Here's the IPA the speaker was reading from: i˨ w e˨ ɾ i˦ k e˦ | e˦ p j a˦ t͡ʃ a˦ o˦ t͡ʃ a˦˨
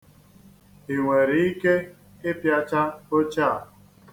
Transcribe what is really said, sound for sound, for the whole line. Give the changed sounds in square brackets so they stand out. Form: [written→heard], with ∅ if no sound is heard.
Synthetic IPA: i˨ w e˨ ɾ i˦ k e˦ | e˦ p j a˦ t͡ʃ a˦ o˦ t͡ʃ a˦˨